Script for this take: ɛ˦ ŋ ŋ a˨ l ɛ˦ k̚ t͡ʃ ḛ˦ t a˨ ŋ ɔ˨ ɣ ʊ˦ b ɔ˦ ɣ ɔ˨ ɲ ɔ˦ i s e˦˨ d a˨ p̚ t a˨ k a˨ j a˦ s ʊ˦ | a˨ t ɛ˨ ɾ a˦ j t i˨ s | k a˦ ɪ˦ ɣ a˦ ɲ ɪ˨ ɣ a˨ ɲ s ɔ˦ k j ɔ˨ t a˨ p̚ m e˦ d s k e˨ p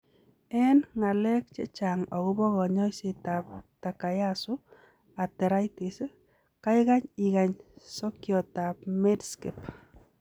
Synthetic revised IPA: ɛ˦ n ŋ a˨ l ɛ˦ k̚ t͡ʃ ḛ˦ t͡ʃ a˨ ŋ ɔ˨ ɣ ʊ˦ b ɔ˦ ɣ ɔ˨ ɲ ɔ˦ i s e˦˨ t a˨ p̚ t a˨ k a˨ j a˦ s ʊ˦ | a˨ t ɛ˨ ɾ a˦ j t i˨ s | k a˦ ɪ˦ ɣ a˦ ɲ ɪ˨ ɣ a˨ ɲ s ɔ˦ k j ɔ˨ t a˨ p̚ m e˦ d s k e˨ p